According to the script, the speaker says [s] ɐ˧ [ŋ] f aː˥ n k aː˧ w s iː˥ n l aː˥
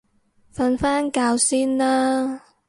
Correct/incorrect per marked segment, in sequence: incorrect, incorrect

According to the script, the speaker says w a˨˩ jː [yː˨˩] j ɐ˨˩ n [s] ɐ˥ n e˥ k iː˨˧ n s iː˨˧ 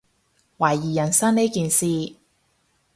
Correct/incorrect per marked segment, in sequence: incorrect, correct

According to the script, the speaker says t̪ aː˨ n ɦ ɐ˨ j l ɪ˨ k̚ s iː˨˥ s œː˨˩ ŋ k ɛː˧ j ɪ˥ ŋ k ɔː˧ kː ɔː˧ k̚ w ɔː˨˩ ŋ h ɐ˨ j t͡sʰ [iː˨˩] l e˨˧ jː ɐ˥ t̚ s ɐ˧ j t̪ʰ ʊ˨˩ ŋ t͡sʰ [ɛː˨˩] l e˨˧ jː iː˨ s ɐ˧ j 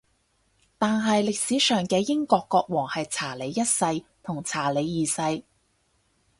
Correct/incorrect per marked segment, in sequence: incorrect, incorrect

